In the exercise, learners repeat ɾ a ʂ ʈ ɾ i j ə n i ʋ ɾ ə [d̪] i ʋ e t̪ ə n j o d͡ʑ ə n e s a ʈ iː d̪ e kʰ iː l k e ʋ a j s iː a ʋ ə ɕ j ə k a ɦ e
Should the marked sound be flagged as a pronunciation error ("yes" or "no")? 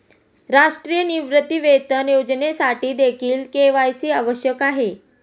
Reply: yes